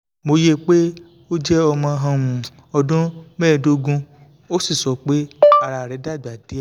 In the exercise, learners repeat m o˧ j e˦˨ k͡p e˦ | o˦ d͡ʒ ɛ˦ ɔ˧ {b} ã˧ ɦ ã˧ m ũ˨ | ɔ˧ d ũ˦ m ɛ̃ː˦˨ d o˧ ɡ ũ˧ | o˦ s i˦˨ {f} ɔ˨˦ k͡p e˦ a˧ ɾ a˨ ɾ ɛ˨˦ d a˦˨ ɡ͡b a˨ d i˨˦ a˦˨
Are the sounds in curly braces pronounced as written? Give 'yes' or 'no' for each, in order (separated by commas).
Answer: no, no